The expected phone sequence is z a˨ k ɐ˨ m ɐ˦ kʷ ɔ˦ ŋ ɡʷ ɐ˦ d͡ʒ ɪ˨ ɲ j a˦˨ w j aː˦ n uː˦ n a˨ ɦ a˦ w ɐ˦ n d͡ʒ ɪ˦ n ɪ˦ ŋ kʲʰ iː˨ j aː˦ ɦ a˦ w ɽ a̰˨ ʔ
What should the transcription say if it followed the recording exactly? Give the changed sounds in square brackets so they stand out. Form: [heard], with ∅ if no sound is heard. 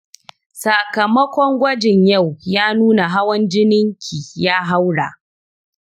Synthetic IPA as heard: [s] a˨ k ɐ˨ m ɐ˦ kʷ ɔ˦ ŋ ɡʷ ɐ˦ d͡ʒ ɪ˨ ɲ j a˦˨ w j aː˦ n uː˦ n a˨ ɦ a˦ w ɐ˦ n d͡ʒ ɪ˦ n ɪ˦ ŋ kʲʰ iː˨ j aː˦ ɦ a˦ w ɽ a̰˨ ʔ